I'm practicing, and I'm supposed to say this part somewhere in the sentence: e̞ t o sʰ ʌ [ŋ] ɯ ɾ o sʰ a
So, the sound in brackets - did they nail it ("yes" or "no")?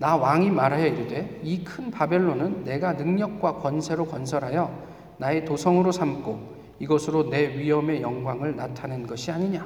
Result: yes